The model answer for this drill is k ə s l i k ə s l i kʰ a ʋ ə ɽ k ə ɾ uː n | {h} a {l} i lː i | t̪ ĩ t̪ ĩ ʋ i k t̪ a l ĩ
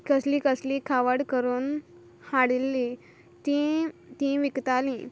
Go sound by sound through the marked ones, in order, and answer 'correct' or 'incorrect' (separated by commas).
correct, incorrect